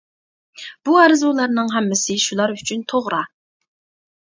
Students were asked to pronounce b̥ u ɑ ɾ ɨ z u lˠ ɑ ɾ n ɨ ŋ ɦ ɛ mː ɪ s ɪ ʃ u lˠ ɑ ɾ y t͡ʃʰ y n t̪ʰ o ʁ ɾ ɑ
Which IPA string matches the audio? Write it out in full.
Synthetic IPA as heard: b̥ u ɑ ɾ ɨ z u lˠ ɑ ɾ n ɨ ŋ ɦ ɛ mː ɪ s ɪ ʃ u lˠ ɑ ɾ y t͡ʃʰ y n t̪ʰ o ʁ ɾ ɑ

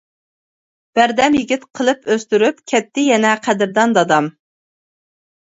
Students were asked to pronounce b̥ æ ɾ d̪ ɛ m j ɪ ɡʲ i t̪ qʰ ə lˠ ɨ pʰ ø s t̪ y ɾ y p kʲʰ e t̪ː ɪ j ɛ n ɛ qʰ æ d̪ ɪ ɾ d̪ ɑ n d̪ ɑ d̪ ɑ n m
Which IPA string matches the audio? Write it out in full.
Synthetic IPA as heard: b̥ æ ɾ d̪ ɛ m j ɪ ɡʲ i t̪ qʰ ə lˠ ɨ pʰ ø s t̪ y ɾ y p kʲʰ ɛ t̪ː ɪ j ɛ n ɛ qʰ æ d̪ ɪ ɾ d̪ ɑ n d̪ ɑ d̪ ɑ m

